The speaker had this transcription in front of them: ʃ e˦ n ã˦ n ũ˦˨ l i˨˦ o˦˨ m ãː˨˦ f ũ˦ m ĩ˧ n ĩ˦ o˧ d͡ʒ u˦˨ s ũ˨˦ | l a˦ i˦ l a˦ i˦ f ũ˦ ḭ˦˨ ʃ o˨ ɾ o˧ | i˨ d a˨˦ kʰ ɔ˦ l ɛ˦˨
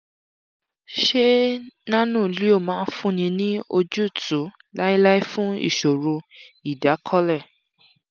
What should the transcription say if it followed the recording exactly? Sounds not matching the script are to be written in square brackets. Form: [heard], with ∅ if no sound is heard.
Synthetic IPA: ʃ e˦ n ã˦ n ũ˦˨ l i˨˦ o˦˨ m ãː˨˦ f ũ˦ [n] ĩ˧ n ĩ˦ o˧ d͡ʒ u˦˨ [t] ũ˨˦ | l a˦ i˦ l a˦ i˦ f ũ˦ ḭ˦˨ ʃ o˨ ɾ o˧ | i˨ d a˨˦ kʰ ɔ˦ l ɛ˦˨

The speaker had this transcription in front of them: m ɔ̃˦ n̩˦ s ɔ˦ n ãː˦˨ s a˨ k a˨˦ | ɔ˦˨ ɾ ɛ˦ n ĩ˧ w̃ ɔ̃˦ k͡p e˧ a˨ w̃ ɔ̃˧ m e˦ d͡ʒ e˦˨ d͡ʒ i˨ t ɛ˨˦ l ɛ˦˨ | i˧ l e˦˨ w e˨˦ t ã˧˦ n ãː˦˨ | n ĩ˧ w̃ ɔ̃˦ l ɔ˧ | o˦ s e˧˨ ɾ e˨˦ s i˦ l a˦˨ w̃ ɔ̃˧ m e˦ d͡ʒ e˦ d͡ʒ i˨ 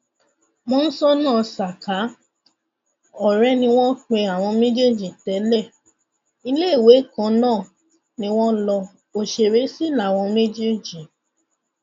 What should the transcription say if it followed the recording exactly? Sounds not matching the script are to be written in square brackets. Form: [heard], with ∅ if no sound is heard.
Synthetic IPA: m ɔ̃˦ n̩˦ s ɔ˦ n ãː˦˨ s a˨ k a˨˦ | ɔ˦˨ ɾ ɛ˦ n ĩ˧ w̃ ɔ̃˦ k͡p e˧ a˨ w̃ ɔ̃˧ m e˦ d͡ʒ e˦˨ d͡ʒ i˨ t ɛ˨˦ l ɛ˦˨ | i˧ l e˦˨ w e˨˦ [k] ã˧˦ n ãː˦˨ | n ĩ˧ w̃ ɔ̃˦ l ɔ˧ | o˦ [ʃ] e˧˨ ɾ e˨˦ s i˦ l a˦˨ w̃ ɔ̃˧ m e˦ d͡ʒ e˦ d͡ʒ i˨

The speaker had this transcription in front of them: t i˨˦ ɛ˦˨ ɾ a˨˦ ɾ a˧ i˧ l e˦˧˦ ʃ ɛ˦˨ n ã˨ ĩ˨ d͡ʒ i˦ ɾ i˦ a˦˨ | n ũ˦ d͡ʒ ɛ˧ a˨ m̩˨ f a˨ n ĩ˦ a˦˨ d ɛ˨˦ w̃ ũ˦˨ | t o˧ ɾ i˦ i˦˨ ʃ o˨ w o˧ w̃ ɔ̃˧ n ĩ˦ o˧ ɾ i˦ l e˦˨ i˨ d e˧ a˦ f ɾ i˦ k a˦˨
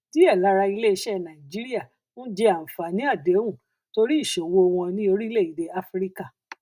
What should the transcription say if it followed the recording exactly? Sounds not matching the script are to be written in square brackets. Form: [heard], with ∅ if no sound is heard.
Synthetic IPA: t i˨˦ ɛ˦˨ [l] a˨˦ ɾ a˧ i˧ l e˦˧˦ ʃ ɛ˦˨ n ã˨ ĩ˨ d͡ʒ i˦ ɾ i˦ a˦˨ | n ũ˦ d͡ʒ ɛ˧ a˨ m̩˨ f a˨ n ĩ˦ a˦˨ d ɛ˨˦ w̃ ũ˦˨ | t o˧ ɾ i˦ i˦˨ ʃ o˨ w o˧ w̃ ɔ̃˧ n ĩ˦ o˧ ɾ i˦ l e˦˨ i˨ d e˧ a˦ f ɾ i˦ k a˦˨

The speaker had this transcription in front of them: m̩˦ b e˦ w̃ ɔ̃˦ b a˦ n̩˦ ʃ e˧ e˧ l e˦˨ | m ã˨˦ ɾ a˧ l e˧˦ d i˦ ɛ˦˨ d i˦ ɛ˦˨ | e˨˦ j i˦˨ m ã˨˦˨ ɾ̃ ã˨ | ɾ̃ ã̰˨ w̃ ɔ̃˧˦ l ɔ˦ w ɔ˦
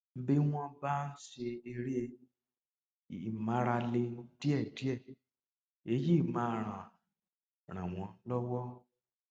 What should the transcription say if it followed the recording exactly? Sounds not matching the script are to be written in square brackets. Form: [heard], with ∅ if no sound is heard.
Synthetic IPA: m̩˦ b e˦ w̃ ɔ̃˦ b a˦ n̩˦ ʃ e˧ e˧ [ɾ] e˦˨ | m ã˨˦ ɾ a˧ l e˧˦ d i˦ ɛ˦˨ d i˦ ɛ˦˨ | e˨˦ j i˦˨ m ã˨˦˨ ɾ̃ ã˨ | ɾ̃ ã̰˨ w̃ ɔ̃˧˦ l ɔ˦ w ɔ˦

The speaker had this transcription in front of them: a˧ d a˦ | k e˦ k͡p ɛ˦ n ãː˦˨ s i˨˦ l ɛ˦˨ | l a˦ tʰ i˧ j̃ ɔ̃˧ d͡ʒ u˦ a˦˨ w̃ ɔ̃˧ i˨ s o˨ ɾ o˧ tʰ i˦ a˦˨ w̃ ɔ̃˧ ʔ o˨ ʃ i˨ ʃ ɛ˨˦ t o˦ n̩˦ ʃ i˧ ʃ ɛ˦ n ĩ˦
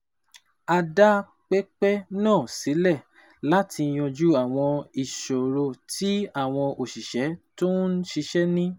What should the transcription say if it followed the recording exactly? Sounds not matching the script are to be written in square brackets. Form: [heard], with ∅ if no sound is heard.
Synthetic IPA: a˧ d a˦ | [k͡p] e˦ k͡p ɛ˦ n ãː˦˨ s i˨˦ l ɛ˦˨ | l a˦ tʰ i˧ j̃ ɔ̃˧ d͡ʒ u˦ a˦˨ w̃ ɔ̃˧ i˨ [ʃ] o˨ ɾ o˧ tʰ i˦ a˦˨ w̃ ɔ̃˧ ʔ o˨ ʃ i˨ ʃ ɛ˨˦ t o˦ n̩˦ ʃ i˧ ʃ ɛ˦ n ĩ˦

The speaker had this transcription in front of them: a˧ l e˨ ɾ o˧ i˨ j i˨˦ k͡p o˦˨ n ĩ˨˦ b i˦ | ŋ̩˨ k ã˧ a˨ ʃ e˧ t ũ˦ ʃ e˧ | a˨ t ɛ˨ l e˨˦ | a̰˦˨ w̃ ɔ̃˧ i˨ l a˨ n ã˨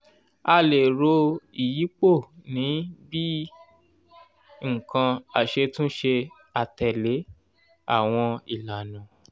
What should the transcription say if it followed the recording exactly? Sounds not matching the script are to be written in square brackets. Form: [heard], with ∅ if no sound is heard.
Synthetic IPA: a˧ l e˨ ɾ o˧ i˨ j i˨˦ k͡p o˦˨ n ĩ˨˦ b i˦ | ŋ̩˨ k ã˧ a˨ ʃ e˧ t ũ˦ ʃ e˧ | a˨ t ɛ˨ l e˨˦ | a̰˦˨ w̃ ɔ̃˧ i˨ l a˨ n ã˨

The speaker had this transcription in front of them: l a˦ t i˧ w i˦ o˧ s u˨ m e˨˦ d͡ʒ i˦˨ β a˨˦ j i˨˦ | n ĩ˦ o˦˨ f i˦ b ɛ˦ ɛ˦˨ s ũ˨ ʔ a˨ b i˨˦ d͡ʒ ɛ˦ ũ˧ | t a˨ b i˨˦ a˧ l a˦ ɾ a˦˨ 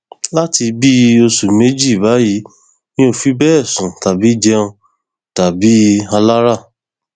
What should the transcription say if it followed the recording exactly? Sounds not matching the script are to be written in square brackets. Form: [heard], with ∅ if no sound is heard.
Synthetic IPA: l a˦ t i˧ [b] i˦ o˧ s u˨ m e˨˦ d͡ʒ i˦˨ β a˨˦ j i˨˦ | n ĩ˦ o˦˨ f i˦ b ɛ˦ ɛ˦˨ s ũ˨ [t] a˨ b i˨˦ d͡ʒ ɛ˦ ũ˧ | t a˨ b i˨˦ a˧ l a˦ ɾ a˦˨

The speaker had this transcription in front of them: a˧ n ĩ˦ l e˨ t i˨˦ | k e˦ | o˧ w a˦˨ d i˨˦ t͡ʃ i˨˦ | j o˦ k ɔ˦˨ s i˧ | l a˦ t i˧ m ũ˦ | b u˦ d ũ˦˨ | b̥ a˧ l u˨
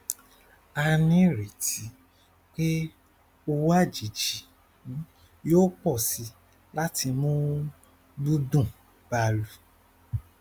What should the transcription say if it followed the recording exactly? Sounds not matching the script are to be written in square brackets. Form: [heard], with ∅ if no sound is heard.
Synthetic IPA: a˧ n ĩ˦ [ɾ] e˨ t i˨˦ | [k͡p] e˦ | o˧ w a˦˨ [d͡ʒ] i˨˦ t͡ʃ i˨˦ | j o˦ [k͡p] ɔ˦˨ s i˧ | l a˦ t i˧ m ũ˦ | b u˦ d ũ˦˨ | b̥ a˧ l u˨

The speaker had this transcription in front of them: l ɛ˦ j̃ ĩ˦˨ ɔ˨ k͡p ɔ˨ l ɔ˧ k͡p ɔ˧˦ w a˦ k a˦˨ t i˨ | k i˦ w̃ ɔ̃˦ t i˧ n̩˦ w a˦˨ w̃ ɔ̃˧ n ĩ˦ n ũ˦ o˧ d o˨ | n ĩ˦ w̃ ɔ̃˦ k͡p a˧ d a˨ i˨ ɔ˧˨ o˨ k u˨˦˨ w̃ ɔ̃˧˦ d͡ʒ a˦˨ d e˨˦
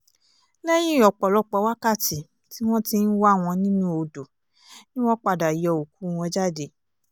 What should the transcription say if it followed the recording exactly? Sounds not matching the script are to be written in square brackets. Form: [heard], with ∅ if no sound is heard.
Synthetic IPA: l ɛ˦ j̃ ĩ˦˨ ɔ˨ k͡p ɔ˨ l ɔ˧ k͡p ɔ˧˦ w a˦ k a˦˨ t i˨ | [t] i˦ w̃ ɔ̃˦ t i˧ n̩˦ w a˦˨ w̃ ɔ̃˧ n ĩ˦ n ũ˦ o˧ d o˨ | n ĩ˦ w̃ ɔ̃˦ k͡p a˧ d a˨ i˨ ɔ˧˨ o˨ k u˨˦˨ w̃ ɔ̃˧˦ d͡ʒ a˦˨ d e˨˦

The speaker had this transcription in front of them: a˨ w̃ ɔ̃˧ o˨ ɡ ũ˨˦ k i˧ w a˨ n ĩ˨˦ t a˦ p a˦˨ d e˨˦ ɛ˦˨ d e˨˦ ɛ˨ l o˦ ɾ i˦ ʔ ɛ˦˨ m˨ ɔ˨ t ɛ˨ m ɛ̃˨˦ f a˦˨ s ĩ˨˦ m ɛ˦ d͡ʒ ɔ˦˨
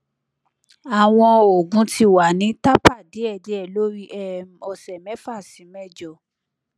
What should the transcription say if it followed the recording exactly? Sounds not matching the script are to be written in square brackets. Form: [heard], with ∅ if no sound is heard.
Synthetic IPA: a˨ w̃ ɔ̃˧ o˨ ɡ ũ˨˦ [t] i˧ w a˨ n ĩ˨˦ t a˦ p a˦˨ d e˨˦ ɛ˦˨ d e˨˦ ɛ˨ l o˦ ɾ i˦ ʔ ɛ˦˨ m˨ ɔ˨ [s] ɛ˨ m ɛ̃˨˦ f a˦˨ s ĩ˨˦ m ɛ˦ d͡ʒ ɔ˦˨

